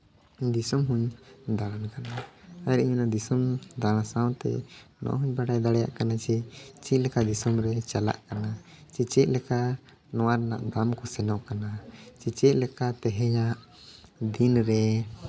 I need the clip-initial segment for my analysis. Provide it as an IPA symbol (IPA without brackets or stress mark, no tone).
d̪